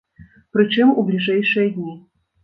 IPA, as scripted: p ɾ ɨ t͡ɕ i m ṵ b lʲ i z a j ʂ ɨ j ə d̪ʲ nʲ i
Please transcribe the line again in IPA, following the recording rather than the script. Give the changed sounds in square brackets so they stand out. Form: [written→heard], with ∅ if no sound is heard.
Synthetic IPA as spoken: p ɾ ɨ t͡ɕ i m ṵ b lʲ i [z→ʐ] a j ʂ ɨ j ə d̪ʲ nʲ i